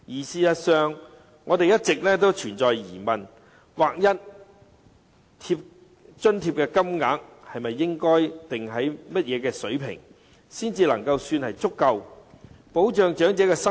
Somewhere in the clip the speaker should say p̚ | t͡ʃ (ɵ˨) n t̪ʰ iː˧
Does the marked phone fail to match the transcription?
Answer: yes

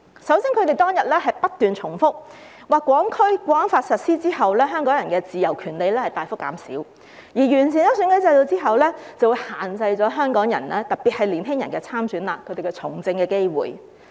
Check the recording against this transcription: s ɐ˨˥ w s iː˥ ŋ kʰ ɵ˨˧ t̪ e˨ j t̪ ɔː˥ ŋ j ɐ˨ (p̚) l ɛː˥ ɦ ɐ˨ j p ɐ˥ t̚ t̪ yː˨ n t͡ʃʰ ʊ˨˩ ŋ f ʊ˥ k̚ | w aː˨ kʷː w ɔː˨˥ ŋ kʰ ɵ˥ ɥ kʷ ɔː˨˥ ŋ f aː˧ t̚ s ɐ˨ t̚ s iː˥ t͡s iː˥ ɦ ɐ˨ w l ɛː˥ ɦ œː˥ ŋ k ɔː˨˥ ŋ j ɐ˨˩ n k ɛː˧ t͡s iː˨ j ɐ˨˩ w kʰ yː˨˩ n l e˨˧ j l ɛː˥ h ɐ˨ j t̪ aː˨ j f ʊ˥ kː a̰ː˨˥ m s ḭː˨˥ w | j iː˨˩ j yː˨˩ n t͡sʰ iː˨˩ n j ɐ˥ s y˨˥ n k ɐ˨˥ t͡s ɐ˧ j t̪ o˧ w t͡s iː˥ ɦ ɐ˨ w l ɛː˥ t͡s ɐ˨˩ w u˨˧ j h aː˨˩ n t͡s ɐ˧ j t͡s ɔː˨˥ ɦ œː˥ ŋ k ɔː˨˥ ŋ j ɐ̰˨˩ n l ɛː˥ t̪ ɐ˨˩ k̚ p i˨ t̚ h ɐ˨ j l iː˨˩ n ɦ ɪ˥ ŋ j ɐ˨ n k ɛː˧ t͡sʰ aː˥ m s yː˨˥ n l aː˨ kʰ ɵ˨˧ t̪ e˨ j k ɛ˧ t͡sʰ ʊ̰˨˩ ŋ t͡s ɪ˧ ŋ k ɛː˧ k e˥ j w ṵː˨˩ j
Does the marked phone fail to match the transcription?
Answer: yes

